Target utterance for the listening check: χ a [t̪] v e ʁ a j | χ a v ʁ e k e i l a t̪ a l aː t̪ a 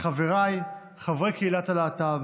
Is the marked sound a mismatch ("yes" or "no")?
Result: yes